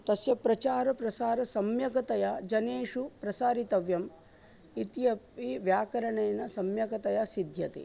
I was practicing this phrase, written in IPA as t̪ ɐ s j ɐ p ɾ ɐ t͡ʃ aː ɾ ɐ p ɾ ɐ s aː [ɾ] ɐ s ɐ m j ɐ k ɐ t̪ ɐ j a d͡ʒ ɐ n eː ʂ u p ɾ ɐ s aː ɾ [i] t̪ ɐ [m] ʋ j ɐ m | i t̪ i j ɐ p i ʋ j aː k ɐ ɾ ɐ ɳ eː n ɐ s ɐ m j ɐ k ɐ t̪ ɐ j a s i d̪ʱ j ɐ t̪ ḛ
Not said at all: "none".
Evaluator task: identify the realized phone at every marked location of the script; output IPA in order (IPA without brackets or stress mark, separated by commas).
ɾ, i, none